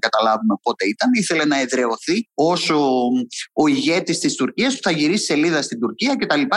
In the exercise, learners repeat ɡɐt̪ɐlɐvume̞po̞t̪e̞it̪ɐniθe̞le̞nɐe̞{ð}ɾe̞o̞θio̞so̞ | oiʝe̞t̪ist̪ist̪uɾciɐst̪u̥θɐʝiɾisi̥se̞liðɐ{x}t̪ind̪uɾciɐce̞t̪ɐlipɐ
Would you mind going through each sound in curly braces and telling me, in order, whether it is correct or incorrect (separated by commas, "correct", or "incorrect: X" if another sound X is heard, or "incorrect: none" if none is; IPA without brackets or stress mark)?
correct, incorrect: s